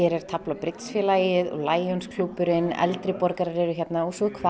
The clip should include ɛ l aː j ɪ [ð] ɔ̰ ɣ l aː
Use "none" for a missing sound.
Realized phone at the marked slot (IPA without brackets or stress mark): ð